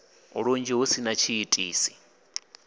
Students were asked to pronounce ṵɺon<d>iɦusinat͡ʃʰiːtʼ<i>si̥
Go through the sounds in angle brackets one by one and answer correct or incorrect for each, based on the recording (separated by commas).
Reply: incorrect, incorrect